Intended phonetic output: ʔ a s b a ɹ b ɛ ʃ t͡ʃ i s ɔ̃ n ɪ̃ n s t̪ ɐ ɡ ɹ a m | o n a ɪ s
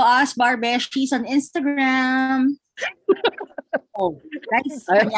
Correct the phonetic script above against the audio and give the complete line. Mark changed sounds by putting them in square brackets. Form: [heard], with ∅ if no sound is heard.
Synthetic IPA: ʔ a s b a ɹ b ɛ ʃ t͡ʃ i s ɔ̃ n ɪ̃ n s t̪ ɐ ɡ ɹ a m | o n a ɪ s